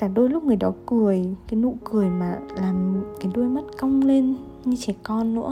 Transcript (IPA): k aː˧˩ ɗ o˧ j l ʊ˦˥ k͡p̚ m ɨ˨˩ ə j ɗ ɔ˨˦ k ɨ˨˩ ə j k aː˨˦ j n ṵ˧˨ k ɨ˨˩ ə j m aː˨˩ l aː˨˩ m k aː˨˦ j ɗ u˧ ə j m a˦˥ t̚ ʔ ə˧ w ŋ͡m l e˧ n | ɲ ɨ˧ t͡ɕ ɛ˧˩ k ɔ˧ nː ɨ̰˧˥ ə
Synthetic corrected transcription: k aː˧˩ ɗ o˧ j l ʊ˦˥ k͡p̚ ŋ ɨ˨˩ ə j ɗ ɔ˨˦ k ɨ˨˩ ə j k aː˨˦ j n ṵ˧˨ k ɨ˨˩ ə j m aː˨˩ l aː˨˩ m k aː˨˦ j ɗ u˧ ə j m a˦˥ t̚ k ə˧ w ŋ͡m l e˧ n | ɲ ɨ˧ t͡ɕ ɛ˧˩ k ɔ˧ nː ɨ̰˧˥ ə